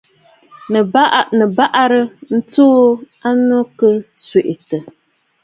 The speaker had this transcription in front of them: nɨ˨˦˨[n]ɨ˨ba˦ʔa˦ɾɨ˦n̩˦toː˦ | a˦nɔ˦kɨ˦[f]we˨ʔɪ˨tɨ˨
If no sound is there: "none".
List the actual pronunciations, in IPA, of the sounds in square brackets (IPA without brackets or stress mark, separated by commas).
n, s